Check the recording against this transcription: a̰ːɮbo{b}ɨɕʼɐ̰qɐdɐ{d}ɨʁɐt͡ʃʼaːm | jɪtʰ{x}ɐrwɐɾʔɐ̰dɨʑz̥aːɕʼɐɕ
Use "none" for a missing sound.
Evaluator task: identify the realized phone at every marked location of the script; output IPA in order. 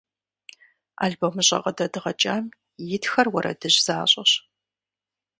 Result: m, d, x

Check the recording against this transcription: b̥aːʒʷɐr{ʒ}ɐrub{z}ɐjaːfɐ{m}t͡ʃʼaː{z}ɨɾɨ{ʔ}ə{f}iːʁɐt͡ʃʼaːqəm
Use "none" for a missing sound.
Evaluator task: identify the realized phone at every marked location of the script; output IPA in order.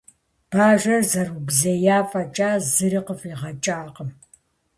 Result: z, z, none, z, q, f

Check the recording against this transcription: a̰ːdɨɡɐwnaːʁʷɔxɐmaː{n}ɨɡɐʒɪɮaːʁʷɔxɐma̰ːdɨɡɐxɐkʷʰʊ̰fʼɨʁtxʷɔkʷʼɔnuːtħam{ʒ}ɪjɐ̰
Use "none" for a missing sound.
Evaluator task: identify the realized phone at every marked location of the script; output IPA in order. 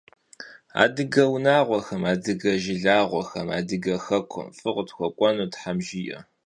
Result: d, ʒ

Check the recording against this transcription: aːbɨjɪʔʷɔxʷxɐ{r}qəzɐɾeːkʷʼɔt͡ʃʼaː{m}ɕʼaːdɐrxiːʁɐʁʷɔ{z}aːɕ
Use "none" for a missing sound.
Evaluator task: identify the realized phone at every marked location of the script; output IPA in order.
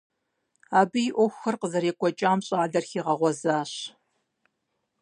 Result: r, m, z

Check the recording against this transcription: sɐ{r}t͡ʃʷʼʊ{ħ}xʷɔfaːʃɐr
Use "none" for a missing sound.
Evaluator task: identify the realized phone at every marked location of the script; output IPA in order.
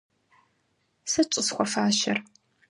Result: none, s

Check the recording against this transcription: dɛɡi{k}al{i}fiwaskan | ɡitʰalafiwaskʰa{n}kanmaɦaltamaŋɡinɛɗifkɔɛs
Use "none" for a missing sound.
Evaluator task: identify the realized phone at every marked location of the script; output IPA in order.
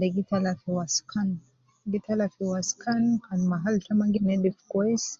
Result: t, a, n

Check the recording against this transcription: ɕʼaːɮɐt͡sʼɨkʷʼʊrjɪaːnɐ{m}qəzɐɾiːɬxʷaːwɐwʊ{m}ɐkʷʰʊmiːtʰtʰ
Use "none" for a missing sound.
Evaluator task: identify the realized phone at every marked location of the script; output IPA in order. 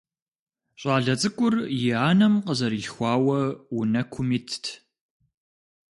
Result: m, n

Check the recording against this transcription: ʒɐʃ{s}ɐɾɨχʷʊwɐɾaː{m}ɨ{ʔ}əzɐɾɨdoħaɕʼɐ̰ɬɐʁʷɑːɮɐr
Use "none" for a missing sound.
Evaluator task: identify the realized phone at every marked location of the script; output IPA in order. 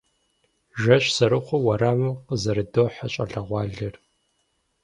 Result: s, m, q

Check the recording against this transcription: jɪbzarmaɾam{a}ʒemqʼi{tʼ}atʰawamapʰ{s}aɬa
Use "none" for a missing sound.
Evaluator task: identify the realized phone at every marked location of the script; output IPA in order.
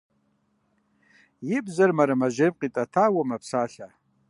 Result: a, tʼ, s

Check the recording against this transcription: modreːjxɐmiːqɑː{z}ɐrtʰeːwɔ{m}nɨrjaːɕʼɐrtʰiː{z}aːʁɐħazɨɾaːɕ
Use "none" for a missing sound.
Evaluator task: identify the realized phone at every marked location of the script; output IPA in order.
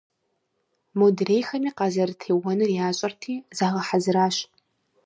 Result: z, none, z

